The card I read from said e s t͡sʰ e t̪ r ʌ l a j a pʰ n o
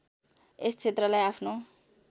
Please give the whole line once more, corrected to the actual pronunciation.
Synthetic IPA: e s t͡sʰ e t̪ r ʌ l a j a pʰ n o